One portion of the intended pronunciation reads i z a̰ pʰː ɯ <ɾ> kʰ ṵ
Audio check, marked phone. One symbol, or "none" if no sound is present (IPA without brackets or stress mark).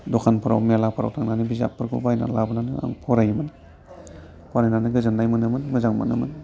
ɾ